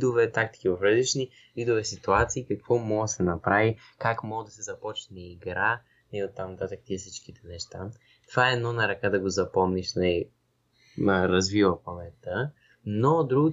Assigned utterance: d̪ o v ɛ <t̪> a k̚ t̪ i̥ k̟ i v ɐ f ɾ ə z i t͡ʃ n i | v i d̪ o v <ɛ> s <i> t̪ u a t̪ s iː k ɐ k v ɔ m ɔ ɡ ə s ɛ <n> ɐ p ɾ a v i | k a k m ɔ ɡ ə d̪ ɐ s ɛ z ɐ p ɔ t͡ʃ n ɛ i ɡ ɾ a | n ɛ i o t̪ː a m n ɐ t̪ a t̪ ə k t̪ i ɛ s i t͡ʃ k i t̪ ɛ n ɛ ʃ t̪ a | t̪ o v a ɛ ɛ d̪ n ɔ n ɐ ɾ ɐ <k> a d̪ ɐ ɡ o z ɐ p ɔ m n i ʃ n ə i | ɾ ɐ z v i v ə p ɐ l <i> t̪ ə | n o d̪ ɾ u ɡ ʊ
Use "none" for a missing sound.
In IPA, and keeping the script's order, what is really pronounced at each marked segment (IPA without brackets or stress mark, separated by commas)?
t̪, ɛ, i, n, k, ɛ